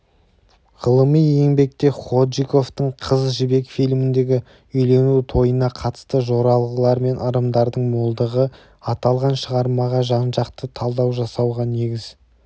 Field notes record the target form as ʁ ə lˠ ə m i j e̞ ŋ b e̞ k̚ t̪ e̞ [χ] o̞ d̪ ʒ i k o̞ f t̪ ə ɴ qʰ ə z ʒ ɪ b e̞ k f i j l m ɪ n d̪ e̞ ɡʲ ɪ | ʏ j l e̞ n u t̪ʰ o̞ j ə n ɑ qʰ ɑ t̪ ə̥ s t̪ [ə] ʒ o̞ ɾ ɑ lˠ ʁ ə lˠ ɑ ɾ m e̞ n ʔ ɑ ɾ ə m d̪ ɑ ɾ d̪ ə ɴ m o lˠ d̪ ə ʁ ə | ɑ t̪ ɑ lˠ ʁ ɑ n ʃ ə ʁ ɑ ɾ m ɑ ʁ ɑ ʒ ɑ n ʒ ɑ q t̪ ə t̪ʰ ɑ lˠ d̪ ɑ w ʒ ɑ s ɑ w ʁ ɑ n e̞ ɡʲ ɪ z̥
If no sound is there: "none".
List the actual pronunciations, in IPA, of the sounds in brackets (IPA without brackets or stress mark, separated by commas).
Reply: χ, ə